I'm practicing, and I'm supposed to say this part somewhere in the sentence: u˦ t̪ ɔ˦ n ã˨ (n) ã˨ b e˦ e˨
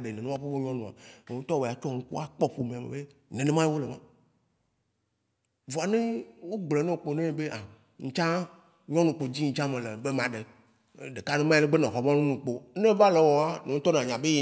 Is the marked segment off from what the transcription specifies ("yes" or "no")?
yes